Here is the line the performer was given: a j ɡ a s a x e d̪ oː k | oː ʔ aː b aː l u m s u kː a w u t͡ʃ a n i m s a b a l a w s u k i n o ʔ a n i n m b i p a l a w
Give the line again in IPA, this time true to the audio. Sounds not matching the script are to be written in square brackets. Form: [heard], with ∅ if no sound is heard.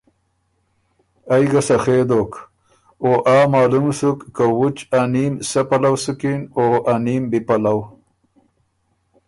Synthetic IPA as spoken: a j ɡ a s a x e d̪ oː k | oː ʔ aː [m] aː l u m s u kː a w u t͡ʃ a n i m s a [p] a l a w s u k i n o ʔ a n i [∅] m b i p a l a w